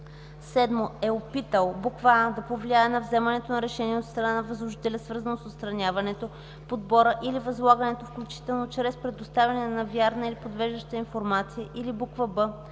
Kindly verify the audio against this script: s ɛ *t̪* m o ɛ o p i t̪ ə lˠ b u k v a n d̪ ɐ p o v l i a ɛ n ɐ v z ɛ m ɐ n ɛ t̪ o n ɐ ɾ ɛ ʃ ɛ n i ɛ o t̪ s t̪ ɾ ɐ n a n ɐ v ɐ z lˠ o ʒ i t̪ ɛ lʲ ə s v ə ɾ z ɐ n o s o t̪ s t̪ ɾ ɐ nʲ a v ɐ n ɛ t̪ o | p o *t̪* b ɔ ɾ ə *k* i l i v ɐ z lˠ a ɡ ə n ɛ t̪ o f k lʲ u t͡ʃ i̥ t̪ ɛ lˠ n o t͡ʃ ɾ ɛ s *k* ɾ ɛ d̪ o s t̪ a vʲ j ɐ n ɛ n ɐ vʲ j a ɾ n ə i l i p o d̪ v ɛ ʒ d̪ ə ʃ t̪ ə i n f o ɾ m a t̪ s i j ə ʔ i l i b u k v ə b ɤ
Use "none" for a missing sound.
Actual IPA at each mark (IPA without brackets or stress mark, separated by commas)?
d̪, d̪, ʔ, p